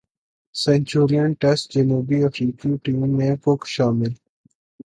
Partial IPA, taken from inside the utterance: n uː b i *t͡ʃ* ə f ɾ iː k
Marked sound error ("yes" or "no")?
yes